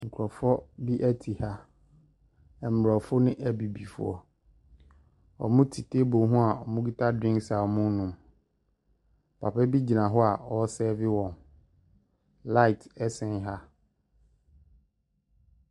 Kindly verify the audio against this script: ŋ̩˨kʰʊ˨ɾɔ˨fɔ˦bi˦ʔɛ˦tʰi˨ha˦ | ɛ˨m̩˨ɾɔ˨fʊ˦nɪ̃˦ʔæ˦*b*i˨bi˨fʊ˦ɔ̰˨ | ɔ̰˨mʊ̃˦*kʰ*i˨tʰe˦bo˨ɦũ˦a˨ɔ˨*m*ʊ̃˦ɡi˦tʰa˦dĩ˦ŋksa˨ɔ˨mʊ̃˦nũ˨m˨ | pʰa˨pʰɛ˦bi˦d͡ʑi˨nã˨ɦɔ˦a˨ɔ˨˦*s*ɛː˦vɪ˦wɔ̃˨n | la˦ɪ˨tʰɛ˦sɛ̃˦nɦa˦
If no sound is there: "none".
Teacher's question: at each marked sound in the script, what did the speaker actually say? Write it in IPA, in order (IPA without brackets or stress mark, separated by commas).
b, tʰ, m, s